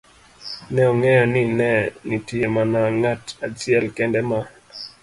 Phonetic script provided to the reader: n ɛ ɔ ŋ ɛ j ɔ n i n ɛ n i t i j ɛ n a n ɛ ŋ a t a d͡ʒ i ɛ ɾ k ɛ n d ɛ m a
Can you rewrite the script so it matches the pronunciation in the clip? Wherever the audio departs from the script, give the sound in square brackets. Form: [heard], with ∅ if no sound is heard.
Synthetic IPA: n ɛ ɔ ŋ ɛ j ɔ n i n ɛ n i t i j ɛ [m] a n [a] ŋ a t a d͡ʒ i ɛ [l] k ɛ n d ɛ m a